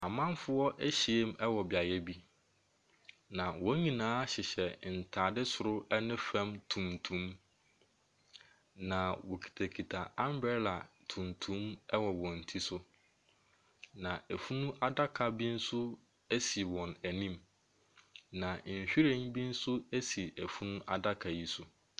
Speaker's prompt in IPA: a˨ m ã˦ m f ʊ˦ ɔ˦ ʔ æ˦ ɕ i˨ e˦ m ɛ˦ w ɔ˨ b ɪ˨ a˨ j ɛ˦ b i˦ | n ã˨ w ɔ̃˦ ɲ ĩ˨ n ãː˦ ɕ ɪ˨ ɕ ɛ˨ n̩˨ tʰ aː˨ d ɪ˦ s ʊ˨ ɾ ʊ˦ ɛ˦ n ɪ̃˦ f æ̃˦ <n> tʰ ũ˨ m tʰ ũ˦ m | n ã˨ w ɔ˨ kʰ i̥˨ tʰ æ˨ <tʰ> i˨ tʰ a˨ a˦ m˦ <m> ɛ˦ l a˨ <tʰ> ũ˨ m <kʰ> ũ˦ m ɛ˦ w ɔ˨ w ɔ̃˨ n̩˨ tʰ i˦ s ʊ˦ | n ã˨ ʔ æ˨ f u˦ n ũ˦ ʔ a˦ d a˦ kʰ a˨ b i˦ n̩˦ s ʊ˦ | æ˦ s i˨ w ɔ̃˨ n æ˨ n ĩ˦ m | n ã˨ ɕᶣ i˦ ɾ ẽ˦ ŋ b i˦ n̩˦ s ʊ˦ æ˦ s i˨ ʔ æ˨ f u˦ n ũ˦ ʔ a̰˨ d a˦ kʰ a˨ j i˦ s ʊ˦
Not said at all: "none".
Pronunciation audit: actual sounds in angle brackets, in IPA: m, kʰ, b, tʰ, tʰ

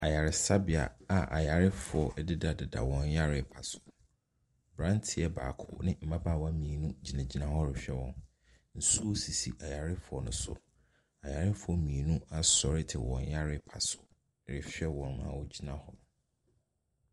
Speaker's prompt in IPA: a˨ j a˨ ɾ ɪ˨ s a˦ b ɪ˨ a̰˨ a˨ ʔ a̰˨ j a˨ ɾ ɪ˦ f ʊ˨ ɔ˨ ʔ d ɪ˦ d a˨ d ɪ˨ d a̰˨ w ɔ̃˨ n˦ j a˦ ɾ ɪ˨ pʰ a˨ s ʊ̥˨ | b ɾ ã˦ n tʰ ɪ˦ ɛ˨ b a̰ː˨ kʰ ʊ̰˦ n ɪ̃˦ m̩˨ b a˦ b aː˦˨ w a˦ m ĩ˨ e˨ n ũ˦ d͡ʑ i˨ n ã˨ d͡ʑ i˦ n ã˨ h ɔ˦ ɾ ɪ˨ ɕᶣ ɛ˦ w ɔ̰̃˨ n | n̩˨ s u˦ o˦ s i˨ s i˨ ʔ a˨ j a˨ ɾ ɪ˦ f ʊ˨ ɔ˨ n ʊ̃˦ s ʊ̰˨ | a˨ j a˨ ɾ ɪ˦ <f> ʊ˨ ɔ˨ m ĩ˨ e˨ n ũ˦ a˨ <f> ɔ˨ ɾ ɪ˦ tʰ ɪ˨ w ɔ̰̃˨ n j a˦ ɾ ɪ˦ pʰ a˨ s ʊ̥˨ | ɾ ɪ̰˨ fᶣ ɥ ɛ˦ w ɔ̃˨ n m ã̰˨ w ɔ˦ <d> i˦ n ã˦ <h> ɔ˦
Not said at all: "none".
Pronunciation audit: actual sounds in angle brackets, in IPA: f, s, d͡ʑ, h

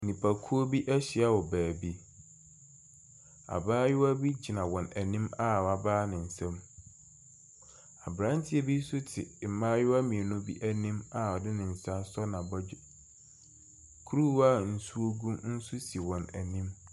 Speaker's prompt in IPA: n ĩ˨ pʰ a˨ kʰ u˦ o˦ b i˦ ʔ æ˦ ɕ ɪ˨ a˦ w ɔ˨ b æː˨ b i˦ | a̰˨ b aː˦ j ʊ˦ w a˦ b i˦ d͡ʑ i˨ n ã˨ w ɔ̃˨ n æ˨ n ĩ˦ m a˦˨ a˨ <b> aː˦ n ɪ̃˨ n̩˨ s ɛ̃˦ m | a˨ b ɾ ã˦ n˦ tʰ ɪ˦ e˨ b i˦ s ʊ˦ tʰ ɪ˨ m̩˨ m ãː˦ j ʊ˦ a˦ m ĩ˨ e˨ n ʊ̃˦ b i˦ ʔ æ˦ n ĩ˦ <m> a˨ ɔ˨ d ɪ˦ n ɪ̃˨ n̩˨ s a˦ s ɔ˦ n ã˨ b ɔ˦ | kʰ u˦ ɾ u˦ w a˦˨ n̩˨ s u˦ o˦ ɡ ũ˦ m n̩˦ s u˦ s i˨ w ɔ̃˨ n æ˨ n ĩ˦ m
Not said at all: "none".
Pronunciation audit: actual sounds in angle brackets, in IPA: b, m

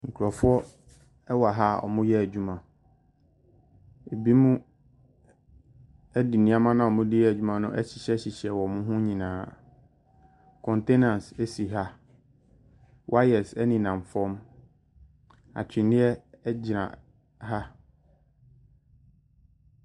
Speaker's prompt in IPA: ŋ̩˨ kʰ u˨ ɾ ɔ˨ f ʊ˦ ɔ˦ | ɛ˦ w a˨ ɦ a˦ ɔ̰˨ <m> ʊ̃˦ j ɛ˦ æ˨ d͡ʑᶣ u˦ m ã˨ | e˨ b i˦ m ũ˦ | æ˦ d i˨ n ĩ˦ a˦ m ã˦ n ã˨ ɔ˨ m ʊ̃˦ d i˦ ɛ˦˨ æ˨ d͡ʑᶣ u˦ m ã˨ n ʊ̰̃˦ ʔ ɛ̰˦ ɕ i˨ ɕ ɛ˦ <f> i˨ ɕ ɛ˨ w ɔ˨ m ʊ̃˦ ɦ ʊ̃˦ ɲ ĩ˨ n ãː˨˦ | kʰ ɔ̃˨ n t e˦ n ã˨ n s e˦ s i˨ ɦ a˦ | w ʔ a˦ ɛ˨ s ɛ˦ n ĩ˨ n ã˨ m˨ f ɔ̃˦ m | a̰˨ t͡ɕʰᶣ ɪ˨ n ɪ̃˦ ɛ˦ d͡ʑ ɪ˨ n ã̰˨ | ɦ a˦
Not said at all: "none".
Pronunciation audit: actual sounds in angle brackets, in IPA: m, ɕ

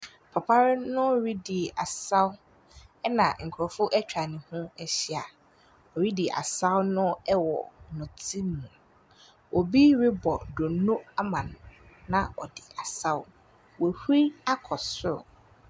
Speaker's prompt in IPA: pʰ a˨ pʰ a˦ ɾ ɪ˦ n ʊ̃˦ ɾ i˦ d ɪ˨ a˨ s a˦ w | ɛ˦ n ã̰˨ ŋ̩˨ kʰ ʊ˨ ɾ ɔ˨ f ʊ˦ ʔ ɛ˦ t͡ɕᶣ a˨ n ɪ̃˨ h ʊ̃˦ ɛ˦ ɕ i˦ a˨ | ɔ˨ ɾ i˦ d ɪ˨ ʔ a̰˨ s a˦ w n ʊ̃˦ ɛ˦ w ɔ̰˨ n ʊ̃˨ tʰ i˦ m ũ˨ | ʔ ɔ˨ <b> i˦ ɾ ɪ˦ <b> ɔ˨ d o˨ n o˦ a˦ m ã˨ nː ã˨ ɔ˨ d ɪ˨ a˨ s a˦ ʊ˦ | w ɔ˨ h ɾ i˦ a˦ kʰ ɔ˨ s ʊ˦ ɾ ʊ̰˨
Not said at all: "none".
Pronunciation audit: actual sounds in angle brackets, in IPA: b, b

